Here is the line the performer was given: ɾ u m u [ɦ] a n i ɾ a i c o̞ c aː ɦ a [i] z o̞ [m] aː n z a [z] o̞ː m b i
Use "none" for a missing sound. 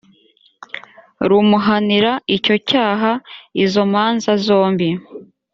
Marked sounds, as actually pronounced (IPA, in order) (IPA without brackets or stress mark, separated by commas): ɦ, i, m, z